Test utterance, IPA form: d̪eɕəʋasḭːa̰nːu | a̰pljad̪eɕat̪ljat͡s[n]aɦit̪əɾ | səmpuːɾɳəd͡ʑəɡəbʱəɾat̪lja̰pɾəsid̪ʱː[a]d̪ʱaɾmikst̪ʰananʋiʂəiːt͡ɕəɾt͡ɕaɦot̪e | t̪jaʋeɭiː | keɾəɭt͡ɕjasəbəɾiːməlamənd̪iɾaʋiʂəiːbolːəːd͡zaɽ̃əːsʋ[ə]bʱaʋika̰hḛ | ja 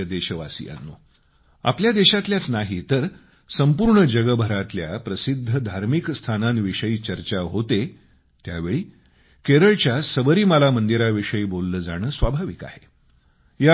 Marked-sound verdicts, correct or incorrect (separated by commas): correct, incorrect, incorrect